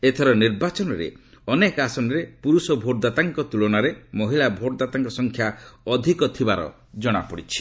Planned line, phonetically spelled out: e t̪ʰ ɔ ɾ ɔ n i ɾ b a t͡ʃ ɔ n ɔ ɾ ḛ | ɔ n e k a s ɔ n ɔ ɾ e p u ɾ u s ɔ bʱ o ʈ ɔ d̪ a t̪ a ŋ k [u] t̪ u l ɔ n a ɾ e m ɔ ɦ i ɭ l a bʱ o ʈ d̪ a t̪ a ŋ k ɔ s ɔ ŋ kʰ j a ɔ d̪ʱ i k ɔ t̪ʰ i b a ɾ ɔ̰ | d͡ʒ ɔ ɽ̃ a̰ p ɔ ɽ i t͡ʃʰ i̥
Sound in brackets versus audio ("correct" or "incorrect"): incorrect